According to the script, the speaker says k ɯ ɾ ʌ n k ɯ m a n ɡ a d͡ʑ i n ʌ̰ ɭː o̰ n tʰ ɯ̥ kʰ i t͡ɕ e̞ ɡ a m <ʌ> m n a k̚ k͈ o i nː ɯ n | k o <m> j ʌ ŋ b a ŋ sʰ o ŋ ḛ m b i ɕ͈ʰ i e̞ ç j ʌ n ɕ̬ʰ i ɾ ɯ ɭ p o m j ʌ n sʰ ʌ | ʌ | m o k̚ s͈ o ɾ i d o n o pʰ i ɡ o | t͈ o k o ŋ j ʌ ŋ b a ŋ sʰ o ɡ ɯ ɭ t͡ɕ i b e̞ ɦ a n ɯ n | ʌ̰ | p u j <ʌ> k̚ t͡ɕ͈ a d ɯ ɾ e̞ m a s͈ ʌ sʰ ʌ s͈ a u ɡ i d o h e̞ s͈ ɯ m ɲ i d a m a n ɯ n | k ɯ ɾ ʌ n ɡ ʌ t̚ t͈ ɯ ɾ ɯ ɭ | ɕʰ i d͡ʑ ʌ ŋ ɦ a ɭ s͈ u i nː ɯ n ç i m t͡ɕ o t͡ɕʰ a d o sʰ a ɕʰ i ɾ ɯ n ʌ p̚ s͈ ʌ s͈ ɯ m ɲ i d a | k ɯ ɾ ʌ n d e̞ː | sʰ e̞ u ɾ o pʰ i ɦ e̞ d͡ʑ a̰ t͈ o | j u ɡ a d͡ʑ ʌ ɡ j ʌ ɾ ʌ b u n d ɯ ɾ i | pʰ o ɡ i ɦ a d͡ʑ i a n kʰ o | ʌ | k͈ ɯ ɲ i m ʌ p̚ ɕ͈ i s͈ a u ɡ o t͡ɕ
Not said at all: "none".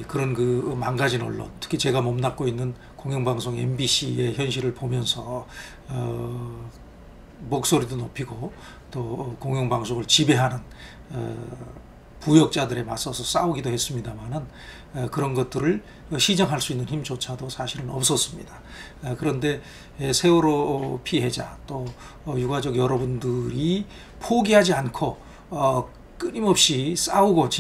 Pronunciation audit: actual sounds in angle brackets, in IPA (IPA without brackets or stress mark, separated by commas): ʌ, ŋ, ʌ